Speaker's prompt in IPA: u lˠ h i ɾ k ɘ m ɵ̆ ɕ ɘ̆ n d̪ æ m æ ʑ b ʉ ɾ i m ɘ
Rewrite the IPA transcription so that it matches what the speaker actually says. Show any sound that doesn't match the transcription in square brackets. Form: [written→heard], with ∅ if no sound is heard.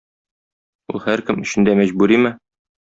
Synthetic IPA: u lˠ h [i→æ] ɾ k ɘ m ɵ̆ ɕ ɘ̆ n d̪ æ m æ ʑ b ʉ ɾ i m ɘ